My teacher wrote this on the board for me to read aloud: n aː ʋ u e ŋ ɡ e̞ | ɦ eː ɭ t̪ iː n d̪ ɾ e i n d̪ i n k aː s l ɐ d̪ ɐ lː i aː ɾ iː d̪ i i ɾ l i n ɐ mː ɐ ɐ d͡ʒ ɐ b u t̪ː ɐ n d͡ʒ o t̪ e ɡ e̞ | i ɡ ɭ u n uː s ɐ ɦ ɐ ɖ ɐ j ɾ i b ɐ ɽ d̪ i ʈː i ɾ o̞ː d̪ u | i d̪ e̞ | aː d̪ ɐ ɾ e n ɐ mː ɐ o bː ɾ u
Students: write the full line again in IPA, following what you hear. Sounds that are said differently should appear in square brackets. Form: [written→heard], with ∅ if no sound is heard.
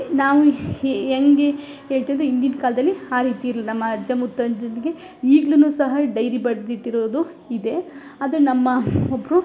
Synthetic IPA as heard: n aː ʋ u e ŋ ɡ e̞ | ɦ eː ɭ t̪ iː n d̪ ɾ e i n d̪ i n k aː [s→∅] l ɐ d̪ ɐ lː i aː ɾ iː [d̪→t̪] i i ɾ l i n ɐ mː ɐ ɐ d͡ʒ ɐ [b→m] u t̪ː ɐ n d͡ʒ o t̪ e ɡ e̞ | [i→iː] ɡ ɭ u n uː s ɐ ɦ ɐ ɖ ɐ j ɾ i b ɐ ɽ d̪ i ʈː i ɾ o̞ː d̪ u | i d̪ e̞ | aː d̪ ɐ ɾ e n ɐ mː ɐ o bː ɾ u

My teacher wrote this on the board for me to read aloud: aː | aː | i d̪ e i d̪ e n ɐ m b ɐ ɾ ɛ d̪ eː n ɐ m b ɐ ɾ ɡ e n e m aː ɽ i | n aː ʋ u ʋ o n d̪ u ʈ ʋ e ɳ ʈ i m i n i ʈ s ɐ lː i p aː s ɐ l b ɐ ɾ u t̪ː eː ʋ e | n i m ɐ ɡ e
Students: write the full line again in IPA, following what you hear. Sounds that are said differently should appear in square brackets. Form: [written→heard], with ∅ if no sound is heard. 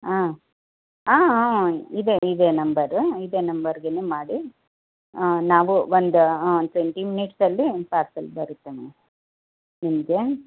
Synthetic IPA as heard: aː | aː | i d̪ e i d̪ e n ɐ m b ɐ ɾ [ɛ→i] d̪ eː n ɐ m b ɐ ɾ ɡ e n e m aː ɽ i | n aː ʋ u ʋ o n d̪ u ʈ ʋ e ɳ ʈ i m i n i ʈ s ɐ lː i p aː s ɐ l b ɐ ɾ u t̪ː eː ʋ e | n i m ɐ ɡ e

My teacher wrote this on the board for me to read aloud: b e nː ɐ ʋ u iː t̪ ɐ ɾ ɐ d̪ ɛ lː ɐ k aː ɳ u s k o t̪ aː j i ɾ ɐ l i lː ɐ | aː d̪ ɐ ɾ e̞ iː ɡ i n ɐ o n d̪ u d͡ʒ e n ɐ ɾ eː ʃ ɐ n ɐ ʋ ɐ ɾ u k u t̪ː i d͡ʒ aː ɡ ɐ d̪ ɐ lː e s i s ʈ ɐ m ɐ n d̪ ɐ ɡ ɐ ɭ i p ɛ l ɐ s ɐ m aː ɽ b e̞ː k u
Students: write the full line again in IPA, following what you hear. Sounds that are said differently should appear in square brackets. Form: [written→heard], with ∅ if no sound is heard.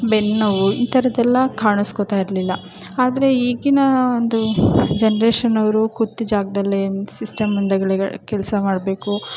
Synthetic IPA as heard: b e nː ɐ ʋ u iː t̪ ɐ ɾ ɐ d̪ ɛ lː ɐ k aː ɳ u s k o t̪ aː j i ɾ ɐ l i lː ɐ | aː d̪ ɐ ɾ e̞ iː ɡ i n ɐ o n d̪ u d͡ʒ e n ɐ ɾ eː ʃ ɐ n ɐ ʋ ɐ ɾ u k u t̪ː i d͡ʒ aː ɡ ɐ d̪ ɐ lː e s i s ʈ ɐ m ɐ n d̪ ɐ ɡ ɐ ɭ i [p→k] ɛ l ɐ s ɐ m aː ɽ b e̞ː k u

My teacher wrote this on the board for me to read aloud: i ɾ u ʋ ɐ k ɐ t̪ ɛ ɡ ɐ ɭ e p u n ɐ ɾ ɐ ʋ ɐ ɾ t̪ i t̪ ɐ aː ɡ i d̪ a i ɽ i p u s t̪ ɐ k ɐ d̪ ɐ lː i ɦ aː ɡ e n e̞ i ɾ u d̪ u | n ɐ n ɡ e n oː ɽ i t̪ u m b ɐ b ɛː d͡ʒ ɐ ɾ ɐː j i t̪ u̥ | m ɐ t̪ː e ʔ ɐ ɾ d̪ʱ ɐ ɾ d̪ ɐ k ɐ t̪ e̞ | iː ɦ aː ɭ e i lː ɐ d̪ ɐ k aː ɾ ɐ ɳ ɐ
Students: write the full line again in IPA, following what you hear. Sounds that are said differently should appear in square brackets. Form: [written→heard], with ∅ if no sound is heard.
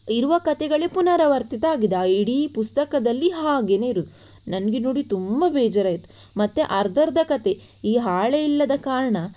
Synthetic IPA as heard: i ɾ u ʋ ɐ k ɐ t̪ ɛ ɡ ɐ ɭ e p u n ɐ ɾ ɐ ʋ ɐ ɾ t̪ i t̪ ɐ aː ɡ i d̪ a i ɽ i p u s t̪ ɐ k ɐ d̪ ɐ lː i ɦ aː ɡ e n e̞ i ɾ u d̪ u | n ɐ n ɡ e n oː ɽ i t̪ u m b ɐ b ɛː d͡ʒ ɐ ɾ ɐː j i t̪ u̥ | m ɐ t̪ː e ʔ ɐ ɾ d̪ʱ ɐ ɾ d̪ ɐ k ɐ t̪ e̞ | iː ɦ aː ɭ e i lː ɐ d̪ ɐ k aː ɾ ɐ ɳ ɐ

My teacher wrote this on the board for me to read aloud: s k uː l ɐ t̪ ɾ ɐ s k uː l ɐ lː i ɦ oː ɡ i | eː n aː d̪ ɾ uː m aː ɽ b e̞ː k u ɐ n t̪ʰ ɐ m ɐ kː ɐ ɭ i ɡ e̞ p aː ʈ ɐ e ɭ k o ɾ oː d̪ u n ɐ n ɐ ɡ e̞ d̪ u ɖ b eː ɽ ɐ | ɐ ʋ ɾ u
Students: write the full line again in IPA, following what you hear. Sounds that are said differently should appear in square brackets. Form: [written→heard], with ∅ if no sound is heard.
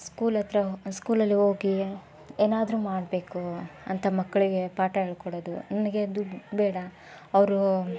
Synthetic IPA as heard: s k uː l ɐ t̪ ɾ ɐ s k uː l ɐ lː i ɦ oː ɡ i | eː n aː d̪ ɾ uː m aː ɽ b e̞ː k u ɐ n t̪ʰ ɐ m ɐ kː ɐ ɭ i ɡ e̞ p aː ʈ ɐ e ɭ k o [ɾ→ɽ] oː d̪ u n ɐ n ɐ ɡ e̞ d̪ u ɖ b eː ɽ ɐ | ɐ ʋ ɾ u

